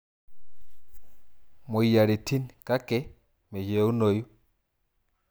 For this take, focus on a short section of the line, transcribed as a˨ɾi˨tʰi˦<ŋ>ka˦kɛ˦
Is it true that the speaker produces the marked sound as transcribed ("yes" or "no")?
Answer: no